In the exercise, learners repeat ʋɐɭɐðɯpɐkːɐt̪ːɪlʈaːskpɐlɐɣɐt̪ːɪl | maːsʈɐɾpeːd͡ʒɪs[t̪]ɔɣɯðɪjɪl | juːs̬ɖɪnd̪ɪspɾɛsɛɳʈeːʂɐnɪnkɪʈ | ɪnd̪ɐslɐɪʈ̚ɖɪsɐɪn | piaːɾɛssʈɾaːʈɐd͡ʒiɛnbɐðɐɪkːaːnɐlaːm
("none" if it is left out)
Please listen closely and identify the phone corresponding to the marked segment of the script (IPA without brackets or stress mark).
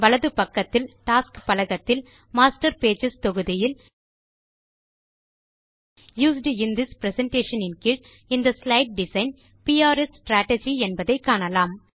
t̪